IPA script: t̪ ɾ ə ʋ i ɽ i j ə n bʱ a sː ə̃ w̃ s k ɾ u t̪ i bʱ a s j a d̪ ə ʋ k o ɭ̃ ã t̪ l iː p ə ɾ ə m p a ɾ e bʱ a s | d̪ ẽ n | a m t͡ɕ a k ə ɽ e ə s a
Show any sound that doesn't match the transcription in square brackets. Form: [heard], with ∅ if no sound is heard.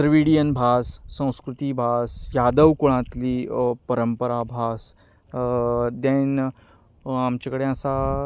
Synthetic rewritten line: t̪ ɾ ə ʋ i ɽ i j ə n bʱ a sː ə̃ w̃ s k ɾ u t̪ i bʱ a s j a d̪ ə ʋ k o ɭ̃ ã t̪ l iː p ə ɾ ə m p [ə] ɾ [a] bʱ a s | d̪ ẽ n | a m t͡ɕ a k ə ɽ e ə s a